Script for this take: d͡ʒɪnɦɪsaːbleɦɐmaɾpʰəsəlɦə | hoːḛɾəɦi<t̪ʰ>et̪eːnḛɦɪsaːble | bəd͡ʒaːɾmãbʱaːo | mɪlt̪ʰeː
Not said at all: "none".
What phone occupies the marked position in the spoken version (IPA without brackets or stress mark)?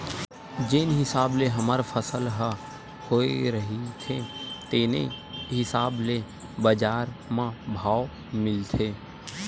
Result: t̪ʰ